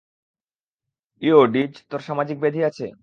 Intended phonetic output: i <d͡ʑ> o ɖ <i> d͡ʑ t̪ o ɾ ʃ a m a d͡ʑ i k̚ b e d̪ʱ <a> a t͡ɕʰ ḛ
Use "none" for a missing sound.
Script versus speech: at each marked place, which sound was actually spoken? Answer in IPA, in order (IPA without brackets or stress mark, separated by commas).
none, i, i